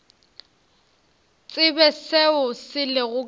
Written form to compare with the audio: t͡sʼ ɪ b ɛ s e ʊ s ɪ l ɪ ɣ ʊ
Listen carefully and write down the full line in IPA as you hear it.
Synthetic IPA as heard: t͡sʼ ɪ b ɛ s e ʊ s ɪ l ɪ ɣ ʊ